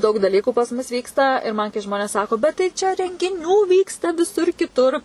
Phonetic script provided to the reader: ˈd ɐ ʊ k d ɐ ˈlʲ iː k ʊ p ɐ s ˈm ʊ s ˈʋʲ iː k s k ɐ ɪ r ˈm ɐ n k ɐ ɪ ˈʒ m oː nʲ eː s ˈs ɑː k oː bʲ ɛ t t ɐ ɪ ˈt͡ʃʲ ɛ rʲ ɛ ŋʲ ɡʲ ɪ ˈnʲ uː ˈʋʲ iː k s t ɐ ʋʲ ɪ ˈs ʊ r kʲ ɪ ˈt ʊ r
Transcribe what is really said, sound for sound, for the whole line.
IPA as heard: ˈd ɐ ʊ k d ɐ ˈlʲ iː k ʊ p ɐ s ˈm ʊ s ˈʋʲ iː k s t ɐ ɪ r ˈm ɐ n k ɐ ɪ ˈʒ m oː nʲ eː s ˈs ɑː k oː bʲ ɛ t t ɐ ɪ ˈt͡ʃʲ ɛ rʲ ɛ ŋʲ ɡʲ ɪ ˈnʲ uː ˈʋʲ iː k s t ɐ ʋʲ ɪ ˈs ʊ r kʲ ɪ ˈt ʊ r